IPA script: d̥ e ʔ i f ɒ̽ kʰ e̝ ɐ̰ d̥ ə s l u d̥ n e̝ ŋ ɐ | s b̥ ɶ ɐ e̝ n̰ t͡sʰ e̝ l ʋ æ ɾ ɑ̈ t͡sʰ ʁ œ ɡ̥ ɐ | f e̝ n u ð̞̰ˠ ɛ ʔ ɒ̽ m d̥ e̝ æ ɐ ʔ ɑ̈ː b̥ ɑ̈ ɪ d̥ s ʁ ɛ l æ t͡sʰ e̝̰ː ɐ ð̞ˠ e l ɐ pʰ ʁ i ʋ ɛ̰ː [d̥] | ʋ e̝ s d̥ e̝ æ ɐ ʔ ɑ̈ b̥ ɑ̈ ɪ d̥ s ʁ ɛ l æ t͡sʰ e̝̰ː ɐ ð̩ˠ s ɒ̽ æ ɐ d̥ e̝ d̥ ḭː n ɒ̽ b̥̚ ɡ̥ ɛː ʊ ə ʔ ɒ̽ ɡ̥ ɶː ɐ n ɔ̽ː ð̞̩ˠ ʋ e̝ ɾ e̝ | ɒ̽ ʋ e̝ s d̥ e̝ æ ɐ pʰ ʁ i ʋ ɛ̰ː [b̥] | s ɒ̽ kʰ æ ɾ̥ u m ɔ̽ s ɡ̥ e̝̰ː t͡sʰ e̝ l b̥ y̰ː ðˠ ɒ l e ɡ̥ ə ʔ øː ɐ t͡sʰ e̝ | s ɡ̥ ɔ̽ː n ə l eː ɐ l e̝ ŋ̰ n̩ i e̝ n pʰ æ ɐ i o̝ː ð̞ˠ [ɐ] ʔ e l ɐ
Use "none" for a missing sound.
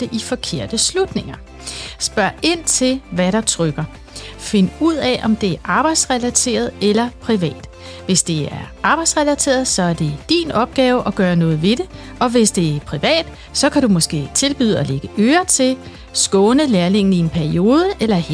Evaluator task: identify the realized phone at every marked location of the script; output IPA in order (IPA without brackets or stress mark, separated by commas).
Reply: d̥, d̥, ə